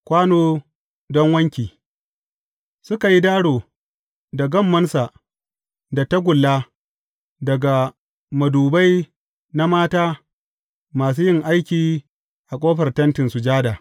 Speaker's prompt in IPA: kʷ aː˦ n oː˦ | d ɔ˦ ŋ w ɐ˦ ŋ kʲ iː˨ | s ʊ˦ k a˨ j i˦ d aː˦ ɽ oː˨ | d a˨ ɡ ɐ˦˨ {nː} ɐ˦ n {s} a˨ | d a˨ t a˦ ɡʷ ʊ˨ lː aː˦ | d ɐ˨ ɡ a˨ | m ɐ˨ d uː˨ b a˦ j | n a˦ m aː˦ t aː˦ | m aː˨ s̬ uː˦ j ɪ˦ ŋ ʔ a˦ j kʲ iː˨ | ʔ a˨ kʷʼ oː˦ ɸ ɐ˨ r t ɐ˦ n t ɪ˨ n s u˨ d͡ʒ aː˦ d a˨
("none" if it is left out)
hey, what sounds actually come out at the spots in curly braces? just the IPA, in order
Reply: mː, s

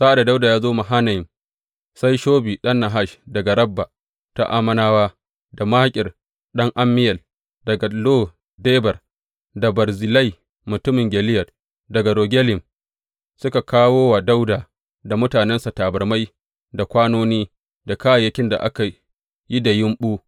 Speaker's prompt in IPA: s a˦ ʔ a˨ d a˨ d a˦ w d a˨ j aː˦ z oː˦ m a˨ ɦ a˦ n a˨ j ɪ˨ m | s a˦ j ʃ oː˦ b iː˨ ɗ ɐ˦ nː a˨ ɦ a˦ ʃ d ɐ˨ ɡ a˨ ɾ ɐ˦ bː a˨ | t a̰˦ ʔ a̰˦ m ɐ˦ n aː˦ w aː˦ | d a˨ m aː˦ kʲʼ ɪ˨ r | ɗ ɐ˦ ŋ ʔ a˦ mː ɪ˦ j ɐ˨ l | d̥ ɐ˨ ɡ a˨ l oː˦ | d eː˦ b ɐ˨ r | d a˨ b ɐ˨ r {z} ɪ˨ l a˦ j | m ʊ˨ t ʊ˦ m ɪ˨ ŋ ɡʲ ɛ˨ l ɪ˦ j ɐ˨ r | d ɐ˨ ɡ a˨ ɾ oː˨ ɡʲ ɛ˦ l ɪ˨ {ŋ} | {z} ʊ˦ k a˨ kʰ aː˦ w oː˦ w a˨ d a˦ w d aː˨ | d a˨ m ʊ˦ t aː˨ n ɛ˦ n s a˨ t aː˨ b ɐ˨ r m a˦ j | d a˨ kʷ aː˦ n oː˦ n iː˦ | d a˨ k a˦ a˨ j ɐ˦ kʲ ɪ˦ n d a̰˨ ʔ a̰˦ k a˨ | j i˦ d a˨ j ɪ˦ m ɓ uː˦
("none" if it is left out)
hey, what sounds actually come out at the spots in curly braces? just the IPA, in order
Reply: z, m, s

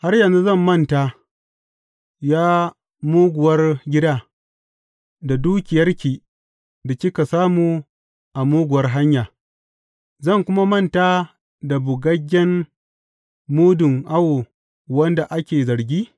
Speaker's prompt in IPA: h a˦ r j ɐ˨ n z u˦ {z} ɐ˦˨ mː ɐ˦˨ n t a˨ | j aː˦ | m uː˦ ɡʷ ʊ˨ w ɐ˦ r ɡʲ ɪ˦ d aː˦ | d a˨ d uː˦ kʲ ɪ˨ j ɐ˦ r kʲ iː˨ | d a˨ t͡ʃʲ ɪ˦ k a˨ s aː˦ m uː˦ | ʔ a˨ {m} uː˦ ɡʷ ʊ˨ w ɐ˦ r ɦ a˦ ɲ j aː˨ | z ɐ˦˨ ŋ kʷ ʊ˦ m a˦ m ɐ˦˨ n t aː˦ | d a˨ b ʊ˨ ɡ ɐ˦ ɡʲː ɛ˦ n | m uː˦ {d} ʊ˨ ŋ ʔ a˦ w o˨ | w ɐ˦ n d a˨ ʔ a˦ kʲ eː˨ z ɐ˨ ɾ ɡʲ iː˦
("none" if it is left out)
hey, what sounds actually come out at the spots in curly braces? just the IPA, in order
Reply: z, m, d

